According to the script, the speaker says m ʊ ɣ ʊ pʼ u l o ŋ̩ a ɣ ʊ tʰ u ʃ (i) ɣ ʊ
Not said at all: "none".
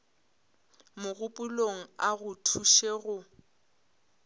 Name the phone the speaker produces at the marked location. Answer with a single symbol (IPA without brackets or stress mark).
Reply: e